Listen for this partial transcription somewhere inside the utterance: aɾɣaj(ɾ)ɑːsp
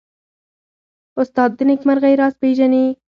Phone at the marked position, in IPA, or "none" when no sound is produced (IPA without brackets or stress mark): ɾ